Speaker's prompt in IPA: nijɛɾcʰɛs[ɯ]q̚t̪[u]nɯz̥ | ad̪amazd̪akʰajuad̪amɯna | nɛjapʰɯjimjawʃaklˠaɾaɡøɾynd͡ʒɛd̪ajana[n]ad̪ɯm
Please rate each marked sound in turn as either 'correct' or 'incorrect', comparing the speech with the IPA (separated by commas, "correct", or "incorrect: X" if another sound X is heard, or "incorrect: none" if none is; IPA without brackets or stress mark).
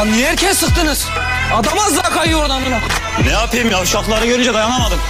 correct, incorrect: ɯ, incorrect: m